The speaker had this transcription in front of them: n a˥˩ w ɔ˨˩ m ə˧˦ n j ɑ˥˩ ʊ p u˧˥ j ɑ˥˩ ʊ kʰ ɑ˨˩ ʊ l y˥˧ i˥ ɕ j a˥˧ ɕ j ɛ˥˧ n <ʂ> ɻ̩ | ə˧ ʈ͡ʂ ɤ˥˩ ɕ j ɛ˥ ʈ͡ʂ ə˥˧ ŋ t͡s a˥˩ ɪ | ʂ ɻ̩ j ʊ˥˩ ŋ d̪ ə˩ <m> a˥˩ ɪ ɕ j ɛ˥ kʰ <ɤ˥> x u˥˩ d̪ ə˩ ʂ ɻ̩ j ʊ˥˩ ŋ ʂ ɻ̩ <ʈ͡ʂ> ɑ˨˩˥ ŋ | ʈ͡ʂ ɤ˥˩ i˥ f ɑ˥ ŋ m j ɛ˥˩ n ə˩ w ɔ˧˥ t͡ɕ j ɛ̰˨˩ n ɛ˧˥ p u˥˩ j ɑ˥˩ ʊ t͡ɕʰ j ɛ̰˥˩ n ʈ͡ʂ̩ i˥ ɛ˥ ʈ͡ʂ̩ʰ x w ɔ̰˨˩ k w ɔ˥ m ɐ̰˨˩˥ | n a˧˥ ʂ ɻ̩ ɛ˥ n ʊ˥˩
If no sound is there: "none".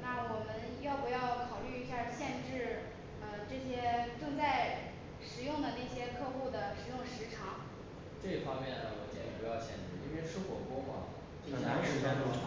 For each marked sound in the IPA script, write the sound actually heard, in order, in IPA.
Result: ʈ͡ʂ, n, ɤ˥˧, ʈ͡ʂʰ

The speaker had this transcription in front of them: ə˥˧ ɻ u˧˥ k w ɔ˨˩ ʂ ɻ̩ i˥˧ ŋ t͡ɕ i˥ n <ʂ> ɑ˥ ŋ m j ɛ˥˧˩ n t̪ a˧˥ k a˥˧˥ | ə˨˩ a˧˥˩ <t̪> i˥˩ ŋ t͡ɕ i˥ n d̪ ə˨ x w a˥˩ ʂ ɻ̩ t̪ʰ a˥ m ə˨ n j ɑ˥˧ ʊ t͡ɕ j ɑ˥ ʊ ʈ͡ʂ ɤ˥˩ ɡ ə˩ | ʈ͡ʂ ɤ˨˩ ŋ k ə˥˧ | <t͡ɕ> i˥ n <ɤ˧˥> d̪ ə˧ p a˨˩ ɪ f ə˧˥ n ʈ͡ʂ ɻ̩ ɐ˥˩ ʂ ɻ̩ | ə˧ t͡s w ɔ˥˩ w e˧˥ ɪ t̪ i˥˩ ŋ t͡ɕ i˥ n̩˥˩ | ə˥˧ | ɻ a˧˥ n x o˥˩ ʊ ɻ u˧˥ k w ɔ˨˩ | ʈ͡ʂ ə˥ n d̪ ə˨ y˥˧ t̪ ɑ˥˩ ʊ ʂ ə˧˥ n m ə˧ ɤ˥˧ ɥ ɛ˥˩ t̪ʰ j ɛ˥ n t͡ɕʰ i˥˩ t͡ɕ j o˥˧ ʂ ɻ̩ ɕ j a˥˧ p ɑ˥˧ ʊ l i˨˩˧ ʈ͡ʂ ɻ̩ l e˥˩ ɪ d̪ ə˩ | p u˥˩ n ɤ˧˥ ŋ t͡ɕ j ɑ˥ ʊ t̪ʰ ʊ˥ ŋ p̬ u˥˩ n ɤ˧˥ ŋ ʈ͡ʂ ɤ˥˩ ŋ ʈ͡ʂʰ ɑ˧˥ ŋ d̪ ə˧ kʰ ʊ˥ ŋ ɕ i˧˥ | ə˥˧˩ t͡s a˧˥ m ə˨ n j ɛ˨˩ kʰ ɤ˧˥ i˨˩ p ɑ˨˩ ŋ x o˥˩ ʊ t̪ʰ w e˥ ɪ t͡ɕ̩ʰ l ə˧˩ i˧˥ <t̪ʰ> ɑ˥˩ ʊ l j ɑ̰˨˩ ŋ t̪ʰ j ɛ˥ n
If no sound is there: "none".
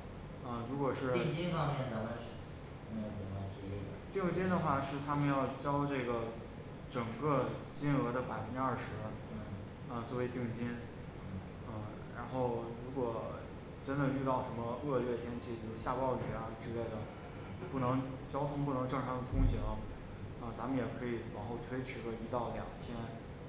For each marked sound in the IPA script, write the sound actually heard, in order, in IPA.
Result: f, t̪, t͡ɕ, ɤ˧˥, t̪

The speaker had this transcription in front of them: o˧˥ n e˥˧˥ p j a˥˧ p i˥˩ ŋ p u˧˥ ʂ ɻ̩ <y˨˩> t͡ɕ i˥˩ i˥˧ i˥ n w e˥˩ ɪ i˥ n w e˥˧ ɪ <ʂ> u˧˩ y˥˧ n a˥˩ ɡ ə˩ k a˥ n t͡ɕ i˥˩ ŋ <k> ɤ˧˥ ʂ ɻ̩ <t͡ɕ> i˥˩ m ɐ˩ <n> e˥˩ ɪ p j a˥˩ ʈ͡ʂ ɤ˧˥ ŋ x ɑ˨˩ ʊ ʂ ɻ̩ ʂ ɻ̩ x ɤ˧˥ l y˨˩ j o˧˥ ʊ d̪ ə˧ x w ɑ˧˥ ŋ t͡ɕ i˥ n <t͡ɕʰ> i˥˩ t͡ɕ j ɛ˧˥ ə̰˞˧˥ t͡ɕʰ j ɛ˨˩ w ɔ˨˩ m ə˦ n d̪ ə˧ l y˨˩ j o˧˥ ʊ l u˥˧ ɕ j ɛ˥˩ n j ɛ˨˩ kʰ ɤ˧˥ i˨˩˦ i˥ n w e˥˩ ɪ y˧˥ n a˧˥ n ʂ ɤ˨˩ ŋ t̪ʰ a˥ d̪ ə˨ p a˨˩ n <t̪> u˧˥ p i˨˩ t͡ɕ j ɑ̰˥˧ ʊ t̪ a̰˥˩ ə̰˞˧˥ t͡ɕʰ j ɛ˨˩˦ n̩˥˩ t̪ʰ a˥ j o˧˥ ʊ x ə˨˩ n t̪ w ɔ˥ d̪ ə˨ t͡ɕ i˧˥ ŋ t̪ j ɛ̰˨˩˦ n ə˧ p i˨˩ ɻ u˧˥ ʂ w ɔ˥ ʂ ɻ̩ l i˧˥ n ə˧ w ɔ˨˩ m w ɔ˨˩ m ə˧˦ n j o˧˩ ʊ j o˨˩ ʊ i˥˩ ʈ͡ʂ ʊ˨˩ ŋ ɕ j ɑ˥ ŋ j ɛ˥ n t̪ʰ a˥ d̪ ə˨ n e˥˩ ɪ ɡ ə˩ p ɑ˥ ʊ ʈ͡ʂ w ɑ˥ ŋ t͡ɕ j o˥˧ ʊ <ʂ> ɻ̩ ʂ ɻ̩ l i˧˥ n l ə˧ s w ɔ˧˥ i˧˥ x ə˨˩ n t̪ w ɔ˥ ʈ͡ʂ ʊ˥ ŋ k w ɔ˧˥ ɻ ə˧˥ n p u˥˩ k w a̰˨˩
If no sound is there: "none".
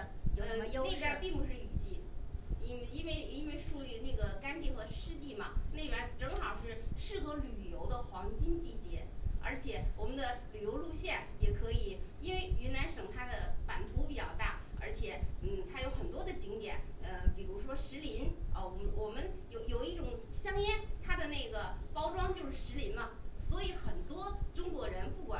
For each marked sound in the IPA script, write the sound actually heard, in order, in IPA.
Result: y˨˩, ʂ, x, t͡ɕ, n, t͡ɕ, t̪ʰ, ʂ

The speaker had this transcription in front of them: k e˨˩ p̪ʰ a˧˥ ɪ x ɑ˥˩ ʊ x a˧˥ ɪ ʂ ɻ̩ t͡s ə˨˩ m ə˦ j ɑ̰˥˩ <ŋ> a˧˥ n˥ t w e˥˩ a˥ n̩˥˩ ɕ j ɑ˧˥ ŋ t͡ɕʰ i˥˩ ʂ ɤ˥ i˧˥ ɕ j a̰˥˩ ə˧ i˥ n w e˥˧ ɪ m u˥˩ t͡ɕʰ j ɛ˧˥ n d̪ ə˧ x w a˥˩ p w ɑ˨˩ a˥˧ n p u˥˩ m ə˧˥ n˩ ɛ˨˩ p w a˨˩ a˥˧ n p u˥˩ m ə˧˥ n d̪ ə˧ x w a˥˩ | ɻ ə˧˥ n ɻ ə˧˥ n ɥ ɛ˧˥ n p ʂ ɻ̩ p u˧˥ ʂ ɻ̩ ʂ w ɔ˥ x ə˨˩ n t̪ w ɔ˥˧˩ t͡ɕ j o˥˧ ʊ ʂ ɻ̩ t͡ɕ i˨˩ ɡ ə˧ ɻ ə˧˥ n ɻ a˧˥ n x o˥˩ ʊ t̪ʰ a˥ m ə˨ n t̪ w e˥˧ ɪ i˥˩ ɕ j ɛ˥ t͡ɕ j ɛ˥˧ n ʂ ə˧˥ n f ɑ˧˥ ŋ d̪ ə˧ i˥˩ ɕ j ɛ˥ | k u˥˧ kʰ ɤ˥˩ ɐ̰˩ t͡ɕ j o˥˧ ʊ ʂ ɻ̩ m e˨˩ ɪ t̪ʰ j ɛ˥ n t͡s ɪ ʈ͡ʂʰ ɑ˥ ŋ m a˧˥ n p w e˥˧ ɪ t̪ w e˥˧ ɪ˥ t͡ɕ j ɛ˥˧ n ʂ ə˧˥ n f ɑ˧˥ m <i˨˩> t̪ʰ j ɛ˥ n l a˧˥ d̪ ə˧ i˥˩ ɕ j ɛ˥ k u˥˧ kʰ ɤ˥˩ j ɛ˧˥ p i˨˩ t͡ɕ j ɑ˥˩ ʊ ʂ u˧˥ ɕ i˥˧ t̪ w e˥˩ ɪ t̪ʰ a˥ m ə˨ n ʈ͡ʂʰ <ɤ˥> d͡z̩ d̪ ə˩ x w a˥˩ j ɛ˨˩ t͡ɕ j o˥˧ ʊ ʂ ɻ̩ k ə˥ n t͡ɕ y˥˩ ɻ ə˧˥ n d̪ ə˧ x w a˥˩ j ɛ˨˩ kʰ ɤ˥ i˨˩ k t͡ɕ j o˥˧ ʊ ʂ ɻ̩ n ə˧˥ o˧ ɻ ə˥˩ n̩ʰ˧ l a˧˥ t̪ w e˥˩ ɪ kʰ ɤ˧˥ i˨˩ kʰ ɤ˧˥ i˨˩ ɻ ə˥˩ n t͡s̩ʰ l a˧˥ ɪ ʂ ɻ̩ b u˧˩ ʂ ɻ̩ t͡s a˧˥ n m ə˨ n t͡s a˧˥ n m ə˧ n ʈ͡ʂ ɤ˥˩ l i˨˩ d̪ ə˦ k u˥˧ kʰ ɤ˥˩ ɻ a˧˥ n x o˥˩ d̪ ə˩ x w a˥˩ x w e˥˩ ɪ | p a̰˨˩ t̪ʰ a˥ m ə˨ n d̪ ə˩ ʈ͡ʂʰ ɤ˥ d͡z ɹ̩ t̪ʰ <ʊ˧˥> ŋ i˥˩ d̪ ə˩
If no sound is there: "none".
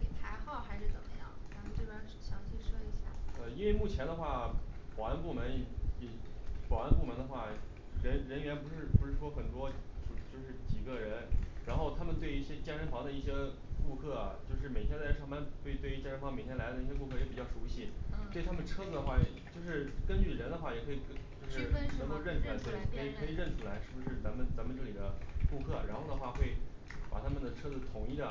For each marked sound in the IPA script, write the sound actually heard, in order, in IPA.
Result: ŋ, e˨˩, ɤ˥, ʊ˨˩

